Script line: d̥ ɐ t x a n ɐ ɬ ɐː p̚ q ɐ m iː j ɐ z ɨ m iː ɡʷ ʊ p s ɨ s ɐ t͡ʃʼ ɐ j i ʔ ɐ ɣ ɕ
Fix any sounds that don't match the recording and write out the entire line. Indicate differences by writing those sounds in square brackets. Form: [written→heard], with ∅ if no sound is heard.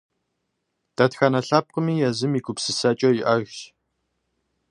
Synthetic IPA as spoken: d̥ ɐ t x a n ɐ ɬ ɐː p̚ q [ɐ→ə] m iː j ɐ z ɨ m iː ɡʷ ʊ p s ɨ s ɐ t͡ʃʼ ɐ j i ʔ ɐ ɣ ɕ